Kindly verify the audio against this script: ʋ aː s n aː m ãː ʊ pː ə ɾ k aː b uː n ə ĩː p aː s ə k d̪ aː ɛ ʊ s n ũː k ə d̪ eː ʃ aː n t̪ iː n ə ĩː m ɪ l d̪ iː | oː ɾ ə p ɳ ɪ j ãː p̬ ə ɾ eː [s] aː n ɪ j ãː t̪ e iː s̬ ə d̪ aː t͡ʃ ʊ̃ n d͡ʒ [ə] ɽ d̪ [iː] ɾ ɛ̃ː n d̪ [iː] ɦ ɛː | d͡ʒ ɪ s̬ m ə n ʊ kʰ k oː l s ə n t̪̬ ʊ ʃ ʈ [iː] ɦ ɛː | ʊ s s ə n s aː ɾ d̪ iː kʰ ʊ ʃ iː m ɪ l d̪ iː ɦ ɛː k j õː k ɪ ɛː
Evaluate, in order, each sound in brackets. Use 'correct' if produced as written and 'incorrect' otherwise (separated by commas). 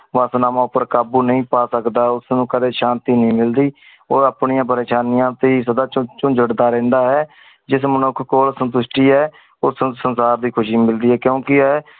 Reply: incorrect, correct, incorrect, incorrect, correct